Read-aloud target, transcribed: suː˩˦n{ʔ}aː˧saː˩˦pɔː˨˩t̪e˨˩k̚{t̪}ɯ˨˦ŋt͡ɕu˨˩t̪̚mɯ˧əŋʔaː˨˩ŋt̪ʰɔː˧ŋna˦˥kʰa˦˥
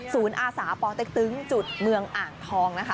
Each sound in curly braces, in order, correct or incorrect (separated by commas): correct, correct